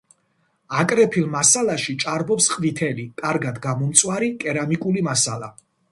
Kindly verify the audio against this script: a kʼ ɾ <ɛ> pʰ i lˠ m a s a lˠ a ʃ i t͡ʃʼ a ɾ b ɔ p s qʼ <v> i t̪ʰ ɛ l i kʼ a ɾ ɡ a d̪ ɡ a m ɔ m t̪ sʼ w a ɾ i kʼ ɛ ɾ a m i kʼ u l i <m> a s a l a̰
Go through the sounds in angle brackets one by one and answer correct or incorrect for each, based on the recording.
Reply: correct, correct, correct

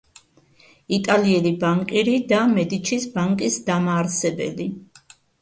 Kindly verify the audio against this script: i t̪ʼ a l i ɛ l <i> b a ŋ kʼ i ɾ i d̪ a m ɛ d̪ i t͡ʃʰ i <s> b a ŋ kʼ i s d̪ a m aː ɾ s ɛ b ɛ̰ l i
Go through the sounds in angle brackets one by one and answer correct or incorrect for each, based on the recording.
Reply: correct, correct

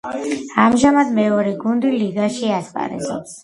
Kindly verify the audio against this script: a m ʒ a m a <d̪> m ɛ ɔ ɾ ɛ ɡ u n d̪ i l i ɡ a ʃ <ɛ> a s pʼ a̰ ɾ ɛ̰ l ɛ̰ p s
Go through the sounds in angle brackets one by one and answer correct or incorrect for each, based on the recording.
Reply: correct, incorrect: i

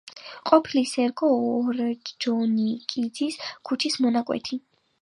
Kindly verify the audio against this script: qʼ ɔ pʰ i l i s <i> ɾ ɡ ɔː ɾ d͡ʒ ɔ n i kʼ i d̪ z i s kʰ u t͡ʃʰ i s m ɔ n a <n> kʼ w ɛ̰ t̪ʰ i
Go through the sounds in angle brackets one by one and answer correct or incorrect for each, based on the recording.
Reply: incorrect: ɛ, incorrect: none

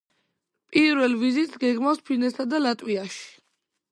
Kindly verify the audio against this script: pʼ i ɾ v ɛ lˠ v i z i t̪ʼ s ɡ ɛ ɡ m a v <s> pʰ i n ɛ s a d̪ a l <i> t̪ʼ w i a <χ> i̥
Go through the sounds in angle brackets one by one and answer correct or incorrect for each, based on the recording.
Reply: correct, incorrect: a, incorrect: ʃ

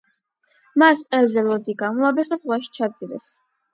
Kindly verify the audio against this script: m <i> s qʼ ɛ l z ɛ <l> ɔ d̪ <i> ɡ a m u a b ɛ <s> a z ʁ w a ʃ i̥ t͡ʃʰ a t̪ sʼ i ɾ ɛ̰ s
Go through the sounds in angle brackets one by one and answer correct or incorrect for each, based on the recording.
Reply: incorrect: a, correct, correct, correct

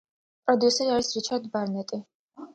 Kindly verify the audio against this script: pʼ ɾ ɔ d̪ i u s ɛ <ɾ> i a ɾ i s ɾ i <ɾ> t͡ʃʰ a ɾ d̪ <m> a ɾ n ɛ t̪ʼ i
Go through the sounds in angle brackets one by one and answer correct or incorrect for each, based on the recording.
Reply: correct, incorrect: none, incorrect: b

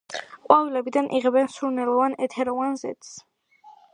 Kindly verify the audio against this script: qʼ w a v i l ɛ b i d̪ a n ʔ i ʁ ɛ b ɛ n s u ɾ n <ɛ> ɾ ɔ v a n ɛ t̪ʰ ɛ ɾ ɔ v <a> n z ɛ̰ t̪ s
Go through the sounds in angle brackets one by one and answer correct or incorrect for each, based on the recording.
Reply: correct, correct

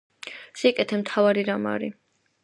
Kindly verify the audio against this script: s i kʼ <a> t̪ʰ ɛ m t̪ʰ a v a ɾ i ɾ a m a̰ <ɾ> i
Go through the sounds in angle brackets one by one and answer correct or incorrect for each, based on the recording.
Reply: incorrect: ɛ, correct

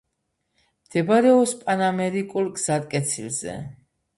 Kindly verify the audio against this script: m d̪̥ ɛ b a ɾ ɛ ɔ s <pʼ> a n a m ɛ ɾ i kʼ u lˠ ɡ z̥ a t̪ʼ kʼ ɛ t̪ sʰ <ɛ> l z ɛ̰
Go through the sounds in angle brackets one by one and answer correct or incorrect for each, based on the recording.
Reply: correct, incorrect: i

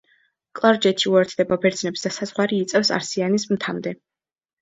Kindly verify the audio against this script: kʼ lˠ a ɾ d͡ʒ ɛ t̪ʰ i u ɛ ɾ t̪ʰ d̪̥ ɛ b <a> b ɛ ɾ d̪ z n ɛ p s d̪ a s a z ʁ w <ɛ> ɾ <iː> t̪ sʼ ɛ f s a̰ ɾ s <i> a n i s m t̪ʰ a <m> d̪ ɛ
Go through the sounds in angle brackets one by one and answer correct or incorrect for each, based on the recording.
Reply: correct, incorrect: a, correct, correct, correct

